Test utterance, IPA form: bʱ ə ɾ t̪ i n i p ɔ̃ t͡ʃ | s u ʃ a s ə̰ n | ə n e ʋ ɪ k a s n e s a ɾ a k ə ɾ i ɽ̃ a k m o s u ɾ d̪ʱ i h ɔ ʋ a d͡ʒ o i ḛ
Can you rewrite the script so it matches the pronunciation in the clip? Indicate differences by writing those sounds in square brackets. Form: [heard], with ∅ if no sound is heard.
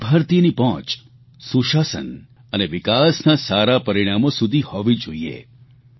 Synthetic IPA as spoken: bʱ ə ɾ t̪ i n i p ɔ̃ t͡ʃ | s u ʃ a s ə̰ n | ə n e ʋ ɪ k a s n [a] s a ɾ a [p] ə ɾ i ɽ̃ a [∅] m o s u [∅] d̪ʱ i h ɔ ʋ [i] d͡ʒ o i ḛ